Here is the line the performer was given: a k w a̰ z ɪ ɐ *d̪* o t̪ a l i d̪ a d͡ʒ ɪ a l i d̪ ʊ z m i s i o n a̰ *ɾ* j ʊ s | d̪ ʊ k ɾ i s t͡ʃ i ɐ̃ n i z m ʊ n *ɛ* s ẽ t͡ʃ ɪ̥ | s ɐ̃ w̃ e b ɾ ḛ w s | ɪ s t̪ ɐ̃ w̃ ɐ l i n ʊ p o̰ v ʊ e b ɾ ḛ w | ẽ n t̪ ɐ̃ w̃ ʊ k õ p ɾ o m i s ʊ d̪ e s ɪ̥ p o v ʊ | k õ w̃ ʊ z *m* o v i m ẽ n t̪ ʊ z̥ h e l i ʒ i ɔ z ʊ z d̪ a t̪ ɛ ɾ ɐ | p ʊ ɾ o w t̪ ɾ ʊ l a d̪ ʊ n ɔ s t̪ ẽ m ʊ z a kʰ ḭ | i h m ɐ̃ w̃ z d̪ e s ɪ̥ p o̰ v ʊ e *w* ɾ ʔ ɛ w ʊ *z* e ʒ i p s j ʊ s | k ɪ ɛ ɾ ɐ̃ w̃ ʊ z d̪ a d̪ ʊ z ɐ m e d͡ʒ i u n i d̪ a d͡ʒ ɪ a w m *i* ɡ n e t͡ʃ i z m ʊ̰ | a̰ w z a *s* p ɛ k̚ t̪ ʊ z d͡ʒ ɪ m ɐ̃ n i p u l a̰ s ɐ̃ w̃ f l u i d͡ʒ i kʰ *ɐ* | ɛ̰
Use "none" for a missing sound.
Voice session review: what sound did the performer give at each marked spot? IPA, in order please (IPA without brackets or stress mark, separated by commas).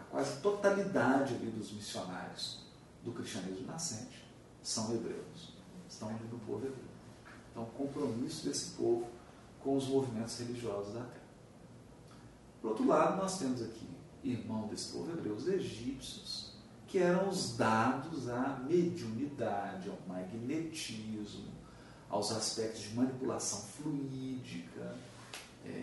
t̪, ɾ, a, m, b, z, a, s, ɐ